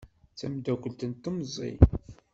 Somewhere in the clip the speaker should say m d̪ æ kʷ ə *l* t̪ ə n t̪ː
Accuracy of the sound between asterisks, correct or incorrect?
correct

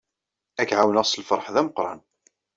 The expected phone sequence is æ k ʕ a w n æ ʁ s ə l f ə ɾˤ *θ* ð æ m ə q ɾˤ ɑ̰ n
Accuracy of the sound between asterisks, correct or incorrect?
incorrect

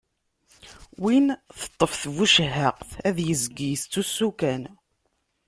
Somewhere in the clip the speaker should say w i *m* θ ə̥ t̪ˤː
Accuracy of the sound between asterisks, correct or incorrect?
incorrect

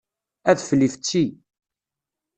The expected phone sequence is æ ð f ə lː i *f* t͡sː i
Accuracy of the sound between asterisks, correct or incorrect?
correct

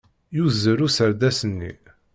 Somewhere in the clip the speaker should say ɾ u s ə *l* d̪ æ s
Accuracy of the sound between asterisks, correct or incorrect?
incorrect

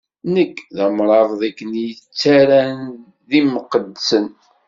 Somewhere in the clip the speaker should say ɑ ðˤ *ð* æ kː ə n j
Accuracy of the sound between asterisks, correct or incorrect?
correct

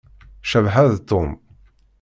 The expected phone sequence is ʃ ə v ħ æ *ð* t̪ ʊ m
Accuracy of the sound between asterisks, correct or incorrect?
correct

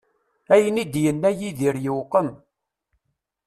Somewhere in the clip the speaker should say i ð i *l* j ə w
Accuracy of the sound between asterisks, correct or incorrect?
incorrect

